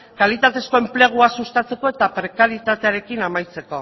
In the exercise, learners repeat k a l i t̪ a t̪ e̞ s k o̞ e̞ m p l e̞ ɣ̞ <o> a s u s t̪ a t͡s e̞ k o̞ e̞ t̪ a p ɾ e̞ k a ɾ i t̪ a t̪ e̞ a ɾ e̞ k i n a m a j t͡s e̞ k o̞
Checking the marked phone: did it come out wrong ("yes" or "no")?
yes